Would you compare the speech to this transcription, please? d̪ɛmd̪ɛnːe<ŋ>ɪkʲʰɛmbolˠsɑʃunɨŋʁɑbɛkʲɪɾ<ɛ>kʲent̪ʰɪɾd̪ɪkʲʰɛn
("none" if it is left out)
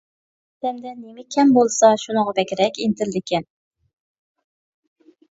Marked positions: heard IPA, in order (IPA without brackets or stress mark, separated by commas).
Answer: m, ɛ